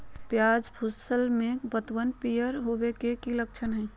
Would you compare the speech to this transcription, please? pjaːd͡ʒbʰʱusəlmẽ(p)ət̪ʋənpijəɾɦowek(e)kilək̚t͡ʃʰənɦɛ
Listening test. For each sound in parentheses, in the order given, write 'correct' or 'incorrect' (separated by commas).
incorrect, correct